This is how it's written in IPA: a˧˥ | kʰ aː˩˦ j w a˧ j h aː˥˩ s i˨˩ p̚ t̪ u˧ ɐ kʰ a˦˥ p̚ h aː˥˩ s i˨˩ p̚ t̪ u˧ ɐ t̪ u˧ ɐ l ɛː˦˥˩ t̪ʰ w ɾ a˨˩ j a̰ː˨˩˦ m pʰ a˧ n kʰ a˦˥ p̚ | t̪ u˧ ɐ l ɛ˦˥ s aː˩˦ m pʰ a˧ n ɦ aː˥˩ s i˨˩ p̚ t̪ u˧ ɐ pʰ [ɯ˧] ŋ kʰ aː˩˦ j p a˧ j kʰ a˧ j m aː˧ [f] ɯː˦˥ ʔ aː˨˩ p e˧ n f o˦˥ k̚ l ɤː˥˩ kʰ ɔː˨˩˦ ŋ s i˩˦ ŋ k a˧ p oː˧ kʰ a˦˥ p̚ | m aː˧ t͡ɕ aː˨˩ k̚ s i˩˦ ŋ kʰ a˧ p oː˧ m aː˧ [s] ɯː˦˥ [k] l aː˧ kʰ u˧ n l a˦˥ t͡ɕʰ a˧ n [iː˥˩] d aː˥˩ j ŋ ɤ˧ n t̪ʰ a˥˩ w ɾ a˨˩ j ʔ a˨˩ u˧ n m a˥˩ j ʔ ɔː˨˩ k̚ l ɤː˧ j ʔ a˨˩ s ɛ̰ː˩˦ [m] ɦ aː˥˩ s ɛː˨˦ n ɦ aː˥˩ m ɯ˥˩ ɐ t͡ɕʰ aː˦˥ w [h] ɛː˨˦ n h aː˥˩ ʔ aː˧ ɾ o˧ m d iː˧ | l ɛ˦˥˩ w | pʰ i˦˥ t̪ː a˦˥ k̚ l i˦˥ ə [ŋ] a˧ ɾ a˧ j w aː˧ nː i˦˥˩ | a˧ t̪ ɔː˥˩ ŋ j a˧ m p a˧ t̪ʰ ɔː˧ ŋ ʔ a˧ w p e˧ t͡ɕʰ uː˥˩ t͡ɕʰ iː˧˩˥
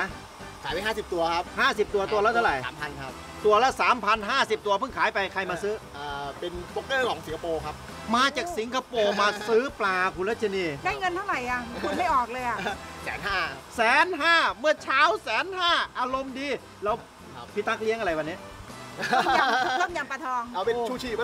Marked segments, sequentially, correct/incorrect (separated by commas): incorrect, incorrect, correct, incorrect, incorrect, incorrect, incorrect, correct